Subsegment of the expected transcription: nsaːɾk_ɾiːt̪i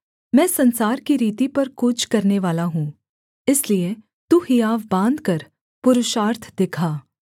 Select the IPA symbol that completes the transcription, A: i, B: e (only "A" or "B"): A